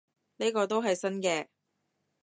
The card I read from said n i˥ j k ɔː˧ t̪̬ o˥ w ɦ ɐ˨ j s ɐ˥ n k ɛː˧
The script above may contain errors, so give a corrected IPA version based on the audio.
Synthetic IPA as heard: n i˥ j k ɔː˧ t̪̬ o˥ w ɦ ɐ˨ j s ɐ˥ n k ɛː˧

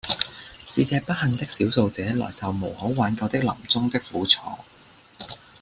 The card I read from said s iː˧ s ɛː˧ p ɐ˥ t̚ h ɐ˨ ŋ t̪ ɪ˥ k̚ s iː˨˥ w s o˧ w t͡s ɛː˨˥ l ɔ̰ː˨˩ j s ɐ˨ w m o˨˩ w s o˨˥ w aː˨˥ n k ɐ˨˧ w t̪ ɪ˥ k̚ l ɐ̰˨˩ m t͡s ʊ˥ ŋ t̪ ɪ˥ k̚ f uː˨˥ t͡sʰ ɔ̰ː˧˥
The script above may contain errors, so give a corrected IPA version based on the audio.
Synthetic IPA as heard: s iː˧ t͡s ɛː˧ p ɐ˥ t̚ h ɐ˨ ŋ t̪ ɪ˥ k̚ s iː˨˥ w s o˧ w t͡s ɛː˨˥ l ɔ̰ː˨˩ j s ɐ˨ w m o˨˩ w h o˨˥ w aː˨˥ n k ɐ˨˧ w t̪ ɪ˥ k̚ l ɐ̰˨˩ m t͡s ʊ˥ ŋ t̪ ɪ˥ k̚ f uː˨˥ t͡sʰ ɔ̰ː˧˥

